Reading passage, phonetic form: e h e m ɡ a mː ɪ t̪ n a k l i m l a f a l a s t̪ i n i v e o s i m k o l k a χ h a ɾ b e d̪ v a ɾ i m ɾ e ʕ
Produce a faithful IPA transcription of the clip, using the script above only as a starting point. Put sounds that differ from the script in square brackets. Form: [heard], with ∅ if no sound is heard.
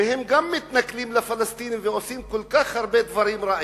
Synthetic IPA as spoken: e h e m ɡ a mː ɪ t̪ n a k l i m l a f a l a s t̪ i n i v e o s i m k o l k a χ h a ɾ b e d̪ v a ɾ i m ɾ [a] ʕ